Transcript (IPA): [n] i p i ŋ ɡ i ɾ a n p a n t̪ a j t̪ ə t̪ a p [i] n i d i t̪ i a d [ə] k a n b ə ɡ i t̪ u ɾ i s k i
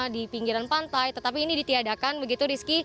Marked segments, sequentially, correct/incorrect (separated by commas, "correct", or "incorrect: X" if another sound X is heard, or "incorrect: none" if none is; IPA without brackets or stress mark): incorrect: d, incorrect: iː, incorrect: a